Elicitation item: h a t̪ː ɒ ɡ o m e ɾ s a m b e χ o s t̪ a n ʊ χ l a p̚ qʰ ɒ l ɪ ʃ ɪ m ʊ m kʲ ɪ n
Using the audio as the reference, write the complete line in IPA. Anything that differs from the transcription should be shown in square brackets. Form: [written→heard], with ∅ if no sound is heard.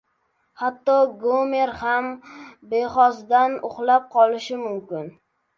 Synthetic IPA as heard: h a t̪ː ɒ ɡ o m e ɾ [s→h] a m b e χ [o→ɒ] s [t̪→d̪] a n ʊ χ l a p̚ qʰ ɒ l ɪ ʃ ɪ m ʊ m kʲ ɪ n